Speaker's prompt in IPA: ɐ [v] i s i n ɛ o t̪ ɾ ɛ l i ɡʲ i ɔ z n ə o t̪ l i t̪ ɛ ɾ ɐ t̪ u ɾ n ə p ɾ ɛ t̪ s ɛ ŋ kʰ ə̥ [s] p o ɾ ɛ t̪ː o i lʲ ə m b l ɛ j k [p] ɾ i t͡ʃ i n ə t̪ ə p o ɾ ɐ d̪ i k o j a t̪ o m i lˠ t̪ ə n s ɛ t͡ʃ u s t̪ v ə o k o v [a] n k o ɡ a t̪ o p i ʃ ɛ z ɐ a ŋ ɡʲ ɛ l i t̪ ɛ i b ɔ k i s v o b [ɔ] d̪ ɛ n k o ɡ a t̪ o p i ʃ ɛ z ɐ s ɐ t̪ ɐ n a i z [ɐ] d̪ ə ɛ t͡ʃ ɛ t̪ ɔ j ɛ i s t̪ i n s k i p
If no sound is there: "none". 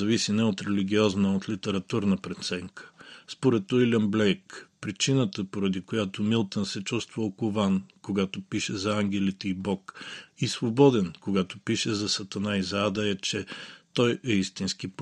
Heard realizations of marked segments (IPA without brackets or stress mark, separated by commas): v, s, p, a, ɔ, a